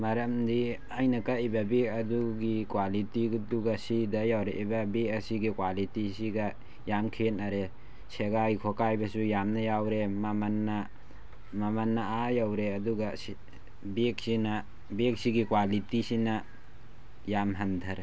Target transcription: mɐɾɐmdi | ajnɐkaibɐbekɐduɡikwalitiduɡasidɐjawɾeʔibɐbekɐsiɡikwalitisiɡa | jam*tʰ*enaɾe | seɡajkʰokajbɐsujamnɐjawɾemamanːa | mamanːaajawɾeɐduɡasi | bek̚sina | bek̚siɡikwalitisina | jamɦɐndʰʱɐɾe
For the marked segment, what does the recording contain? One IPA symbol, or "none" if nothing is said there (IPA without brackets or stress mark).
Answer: kʰ